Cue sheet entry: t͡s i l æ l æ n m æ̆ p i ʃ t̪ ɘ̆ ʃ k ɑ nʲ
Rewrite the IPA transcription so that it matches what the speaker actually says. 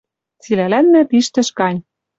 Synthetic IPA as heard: t͡s i l æ l æ n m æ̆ p i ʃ t̪ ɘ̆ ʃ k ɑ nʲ